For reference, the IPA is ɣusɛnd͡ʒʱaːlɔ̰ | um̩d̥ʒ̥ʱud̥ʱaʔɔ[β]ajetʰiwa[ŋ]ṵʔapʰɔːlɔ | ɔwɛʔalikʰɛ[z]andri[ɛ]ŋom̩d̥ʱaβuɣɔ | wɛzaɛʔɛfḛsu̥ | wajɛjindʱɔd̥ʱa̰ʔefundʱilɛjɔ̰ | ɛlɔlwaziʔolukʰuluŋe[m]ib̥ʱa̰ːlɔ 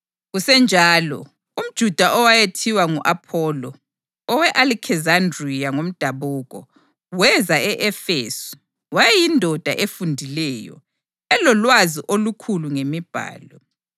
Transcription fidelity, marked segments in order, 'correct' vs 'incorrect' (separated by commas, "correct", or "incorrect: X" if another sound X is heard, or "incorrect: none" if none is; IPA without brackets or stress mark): incorrect: w, correct, correct, incorrect: a, correct